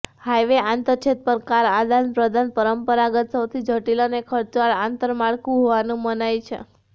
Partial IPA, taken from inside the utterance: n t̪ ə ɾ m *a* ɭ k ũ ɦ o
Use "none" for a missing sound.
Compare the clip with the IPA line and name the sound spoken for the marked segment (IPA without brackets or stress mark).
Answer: a